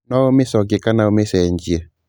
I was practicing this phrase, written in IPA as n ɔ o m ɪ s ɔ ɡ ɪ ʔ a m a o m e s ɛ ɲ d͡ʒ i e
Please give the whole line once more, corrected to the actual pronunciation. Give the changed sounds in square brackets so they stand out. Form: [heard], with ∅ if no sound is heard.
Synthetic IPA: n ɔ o m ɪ s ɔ ɡ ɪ [k] a [n] a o m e s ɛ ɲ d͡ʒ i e

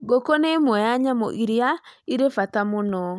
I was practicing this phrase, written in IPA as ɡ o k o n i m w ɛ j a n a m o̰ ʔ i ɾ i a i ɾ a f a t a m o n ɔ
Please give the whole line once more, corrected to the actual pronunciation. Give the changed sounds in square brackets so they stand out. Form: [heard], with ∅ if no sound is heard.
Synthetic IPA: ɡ o k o n [e] m w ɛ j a [ɲ] a m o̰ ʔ i ɾ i a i ɾ [e] f a t a m o n ɔ

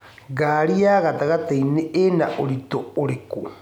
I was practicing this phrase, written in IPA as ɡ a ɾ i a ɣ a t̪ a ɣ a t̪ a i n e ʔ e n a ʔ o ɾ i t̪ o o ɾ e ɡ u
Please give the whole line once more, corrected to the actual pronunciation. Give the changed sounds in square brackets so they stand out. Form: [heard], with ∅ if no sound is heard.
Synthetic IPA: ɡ a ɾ i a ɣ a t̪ a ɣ a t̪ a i n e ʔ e n a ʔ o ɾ i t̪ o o ɾ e [k] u

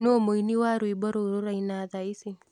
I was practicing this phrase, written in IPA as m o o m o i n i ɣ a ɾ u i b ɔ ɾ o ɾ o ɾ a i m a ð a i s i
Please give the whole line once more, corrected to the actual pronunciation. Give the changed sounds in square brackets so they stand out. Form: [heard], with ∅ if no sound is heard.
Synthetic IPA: [n] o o m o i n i [w] a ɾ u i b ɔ ɾ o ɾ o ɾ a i [n] a ð a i s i

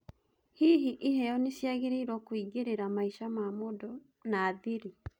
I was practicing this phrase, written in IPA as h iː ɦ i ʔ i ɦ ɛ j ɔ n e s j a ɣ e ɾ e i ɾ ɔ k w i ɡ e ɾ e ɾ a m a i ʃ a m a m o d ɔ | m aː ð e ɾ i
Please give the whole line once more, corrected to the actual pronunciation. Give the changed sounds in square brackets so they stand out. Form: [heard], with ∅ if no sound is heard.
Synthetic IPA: h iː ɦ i ʔ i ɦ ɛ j ɔ n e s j a ɣ e ɾ e i ɾ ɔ k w i ɡ e ɾ e ɾ a m a i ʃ a m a m o d ɔ | [n] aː ð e ɾ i

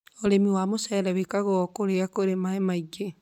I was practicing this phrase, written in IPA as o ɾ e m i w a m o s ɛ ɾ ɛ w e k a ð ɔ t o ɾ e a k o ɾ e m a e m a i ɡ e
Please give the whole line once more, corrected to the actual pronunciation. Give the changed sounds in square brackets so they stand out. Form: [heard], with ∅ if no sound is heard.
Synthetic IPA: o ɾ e m i w a m o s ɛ ɾ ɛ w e k a [ɣ] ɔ [k] o ɾ e a k o ɾ e m a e m a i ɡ e

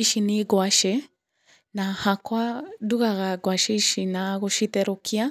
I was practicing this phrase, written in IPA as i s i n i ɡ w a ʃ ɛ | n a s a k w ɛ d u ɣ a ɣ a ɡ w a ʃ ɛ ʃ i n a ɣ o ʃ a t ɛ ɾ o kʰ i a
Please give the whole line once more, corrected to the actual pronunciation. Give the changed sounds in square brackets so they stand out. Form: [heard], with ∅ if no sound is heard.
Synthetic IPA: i [ʃ] i n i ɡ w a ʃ ɛ | n a [h] a k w [a] d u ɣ a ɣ a ɡ w a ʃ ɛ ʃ i n a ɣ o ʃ [i] t ɛ ɾ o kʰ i a

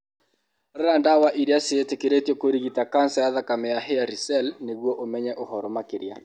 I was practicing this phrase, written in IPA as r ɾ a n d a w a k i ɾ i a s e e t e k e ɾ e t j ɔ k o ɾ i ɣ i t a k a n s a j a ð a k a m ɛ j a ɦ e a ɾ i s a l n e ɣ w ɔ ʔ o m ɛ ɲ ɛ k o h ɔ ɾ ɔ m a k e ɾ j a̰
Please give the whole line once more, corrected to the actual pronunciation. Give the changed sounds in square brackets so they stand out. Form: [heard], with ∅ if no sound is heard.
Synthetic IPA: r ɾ a n d a w a [ʔ] i ɾ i a s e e t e k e ɾ e t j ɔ k o ɾ i ɣ i t a k a n s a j a ð a k a m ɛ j a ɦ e a ɾ i s [ɛ] l n e ɣ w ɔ ʔ o m ɛ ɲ ɛ [ʔ] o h ɔ ɾ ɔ m a k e ɾ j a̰

